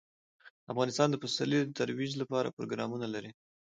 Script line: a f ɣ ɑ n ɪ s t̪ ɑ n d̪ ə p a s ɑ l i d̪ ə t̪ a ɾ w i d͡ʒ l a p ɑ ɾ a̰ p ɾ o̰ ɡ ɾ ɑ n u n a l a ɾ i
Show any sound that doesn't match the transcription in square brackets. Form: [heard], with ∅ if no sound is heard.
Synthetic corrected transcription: a f ɣ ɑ n ɪ s t̪ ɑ n d̪ ə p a s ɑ l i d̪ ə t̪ a ɾ w i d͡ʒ l a p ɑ ɾ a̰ p ɾ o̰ ɡ ɾ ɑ [m] u n a l a ɾ i